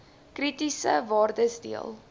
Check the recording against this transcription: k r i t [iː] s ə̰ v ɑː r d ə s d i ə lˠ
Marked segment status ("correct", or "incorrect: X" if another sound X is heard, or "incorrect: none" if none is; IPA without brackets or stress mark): incorrect: i